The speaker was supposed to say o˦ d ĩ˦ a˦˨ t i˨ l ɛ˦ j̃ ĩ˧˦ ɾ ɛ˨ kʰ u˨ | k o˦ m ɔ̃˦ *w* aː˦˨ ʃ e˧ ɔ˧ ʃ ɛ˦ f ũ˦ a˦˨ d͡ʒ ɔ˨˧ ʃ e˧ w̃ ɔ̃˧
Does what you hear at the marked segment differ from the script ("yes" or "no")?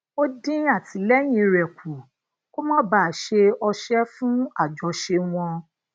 yes